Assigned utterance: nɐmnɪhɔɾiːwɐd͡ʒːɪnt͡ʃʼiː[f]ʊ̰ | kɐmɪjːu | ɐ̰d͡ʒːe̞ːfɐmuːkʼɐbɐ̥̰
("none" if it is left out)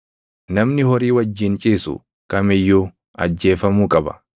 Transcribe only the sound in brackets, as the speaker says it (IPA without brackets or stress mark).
s